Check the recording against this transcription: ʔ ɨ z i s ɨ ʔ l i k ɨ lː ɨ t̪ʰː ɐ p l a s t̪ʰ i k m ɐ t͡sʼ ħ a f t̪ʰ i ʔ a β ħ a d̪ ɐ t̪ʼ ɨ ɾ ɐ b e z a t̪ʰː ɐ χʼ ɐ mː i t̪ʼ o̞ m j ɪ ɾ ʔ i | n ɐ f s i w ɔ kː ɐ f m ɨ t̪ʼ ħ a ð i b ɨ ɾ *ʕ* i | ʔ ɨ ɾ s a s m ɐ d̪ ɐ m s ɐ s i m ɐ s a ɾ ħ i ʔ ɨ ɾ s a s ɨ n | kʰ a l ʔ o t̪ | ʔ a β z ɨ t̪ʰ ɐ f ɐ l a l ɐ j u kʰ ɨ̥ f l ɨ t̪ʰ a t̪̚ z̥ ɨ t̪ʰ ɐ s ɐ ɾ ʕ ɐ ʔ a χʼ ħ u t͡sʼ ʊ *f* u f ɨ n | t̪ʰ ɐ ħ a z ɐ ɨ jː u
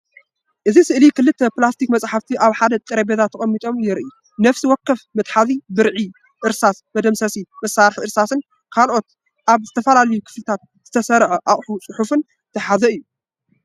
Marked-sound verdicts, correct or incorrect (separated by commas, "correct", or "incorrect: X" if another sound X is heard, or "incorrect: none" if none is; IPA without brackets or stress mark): correct, incorrect: ħ